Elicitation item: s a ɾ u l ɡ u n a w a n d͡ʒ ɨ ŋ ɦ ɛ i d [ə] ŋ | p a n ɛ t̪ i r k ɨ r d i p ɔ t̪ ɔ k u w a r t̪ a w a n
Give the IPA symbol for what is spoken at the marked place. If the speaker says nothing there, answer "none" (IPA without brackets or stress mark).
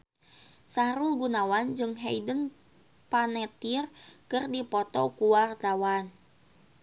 ə